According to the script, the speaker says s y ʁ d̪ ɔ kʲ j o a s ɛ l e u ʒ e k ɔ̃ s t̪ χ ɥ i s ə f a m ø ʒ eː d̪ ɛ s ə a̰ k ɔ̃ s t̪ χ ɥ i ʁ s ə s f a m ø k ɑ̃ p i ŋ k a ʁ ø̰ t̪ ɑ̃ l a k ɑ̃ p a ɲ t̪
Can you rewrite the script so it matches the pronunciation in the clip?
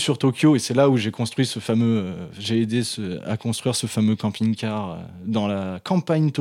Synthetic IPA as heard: s y ʁ t̪ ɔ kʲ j o e s ɛ l a u ʒ e k ɔ̃ s t̪ χ ɥ i s ə f a m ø ʒ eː d̪ e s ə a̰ k ɔ̃ s t̪ χ ɥ i ʁ s ə f a m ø k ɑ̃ p i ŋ k a ʁ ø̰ d̪ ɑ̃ l a k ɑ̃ p a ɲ t̪